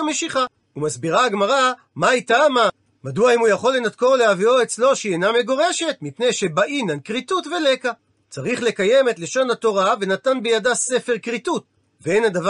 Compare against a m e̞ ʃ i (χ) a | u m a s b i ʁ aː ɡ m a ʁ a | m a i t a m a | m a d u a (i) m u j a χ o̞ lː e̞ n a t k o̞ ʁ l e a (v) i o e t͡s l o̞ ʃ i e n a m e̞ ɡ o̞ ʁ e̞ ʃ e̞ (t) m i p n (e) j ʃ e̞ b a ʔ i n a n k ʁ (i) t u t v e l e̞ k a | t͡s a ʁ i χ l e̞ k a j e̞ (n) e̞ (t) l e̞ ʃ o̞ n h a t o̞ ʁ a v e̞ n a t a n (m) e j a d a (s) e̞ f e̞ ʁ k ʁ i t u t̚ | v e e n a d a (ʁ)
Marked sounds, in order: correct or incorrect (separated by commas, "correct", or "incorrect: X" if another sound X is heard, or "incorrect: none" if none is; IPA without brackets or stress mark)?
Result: correct, correct, correct, correct, correct, correct, incorrect: m, correct, incorrect: b, correct, incorrect: v